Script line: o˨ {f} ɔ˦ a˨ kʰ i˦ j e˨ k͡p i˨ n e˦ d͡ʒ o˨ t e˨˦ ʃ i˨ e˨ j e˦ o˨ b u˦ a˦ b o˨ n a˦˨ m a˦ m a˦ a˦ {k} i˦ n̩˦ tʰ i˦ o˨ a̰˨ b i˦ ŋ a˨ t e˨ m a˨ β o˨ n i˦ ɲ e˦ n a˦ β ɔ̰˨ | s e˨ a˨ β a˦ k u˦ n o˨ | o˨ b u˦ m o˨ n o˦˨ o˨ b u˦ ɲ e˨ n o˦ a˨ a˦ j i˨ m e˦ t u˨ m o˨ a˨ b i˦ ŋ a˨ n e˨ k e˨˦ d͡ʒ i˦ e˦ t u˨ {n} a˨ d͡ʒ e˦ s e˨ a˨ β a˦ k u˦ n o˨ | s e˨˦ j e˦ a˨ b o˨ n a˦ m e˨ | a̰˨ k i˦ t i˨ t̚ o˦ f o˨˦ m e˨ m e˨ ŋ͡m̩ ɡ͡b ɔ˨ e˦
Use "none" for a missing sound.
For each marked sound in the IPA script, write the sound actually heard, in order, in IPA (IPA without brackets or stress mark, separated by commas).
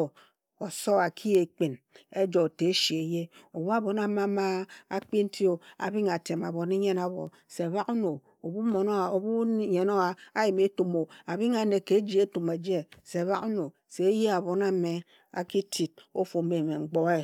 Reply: s, k͡p, m